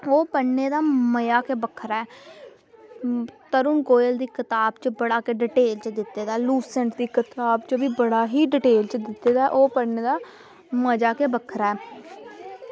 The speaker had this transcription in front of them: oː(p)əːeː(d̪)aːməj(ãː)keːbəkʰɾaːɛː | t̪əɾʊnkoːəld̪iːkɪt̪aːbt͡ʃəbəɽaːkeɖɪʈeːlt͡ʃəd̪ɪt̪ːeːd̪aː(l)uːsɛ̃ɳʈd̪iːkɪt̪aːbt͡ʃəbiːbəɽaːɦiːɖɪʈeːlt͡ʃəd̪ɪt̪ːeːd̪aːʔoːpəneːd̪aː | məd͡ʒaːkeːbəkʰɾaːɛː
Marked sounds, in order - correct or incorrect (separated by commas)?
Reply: correct, correct, incorrect, correct